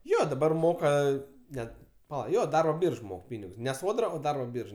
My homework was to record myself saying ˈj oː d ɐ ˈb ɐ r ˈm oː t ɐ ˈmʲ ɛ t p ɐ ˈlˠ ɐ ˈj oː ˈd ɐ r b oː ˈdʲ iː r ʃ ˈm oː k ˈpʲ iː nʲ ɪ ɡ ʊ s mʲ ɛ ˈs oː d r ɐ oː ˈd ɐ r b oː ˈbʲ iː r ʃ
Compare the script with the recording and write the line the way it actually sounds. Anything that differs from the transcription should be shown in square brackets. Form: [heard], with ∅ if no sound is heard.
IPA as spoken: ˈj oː d ɐ ˈb ɐ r ˈm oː [k] ɐ [ˈnʲ] ɛ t p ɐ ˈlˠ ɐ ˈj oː ˈd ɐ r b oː [ˈbʲ] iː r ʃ ˈm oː k ˈpʲ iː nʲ ɪ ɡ ʊ s [nʲ] ɛ ˈs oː d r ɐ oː ˈd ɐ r b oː ˈbʲ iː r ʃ

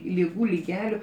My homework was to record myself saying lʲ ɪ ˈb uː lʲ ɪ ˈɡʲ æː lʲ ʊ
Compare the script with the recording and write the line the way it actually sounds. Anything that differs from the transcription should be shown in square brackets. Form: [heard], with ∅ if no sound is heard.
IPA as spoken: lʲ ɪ [ˈɡ] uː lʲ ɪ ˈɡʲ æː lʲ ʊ

